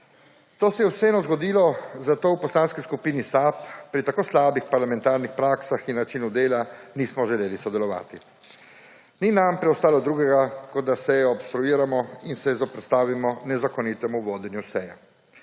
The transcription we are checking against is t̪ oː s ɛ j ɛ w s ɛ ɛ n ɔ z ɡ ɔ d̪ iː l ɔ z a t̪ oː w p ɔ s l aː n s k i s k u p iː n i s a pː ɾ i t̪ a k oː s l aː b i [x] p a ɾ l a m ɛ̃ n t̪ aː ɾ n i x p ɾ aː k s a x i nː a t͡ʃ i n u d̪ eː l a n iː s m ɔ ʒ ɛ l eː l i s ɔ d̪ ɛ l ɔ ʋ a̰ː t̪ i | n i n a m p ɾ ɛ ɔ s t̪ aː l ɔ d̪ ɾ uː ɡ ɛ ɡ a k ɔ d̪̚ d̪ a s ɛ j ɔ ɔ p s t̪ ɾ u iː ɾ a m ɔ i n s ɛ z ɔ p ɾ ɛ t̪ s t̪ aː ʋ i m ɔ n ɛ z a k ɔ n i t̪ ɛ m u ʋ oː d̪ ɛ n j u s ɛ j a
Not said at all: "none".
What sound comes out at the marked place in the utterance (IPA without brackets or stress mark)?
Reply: x